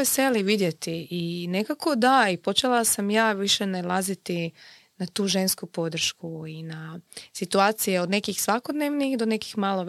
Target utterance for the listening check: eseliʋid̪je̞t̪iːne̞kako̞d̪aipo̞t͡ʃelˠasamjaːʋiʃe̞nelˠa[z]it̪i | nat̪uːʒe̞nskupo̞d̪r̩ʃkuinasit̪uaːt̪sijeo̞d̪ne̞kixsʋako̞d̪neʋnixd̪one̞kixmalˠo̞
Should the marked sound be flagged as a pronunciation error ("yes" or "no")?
no